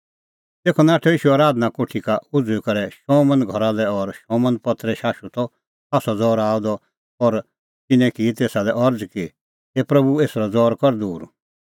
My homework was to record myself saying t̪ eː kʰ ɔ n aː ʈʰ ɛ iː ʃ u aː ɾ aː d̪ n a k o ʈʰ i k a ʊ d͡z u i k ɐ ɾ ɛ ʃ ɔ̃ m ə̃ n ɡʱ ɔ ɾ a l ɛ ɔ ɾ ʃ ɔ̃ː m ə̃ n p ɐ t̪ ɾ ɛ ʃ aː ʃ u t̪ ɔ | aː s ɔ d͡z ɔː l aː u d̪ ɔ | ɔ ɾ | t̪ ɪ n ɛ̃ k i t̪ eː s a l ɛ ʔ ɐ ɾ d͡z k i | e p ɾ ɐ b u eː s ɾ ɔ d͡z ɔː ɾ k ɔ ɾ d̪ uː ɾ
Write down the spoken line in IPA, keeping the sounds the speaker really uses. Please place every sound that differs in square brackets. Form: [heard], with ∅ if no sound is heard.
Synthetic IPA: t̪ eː kʰ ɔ n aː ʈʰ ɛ iː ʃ u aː ɾ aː d̪ n a k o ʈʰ i k a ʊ d͡z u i k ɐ ɾ ɛ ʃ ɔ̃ m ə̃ n ɡʱ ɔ ɾ a l ɛ ɔ ɾ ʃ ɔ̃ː m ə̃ n p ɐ t̪ ɾ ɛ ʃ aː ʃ u t̪ ɔ | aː s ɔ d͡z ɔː [ɾ] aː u d̪ ɔ | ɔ ɾ | t̪ ɪ n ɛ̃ k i t̪ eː s a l ɛ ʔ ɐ ɾ d͡z k i | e p ɾ ɐ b u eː s ɾ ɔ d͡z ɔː ɾ k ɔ ɾ d̪ uː ɾ

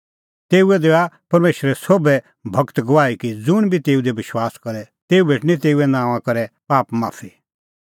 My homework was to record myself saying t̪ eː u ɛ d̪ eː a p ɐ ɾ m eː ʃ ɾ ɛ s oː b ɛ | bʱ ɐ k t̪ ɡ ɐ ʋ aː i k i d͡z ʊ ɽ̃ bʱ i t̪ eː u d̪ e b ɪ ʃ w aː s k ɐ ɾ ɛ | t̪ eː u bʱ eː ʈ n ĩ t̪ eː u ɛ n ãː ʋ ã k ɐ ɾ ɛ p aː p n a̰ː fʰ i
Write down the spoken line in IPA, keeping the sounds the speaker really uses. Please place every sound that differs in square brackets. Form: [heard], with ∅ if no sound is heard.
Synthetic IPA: t̪ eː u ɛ d̪ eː a p ɐ ɾ m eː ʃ ɾ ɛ s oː b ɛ | bʱ ɐ k t̪ ɡ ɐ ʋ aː i k i d͡z ʊ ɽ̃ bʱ i t̪ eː u d̪ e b ɪ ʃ w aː s k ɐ ɾ ɛ | t̪ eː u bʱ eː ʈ n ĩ t̪ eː u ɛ n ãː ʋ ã k ɐ ɾ ɛ p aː p [m] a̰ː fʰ i

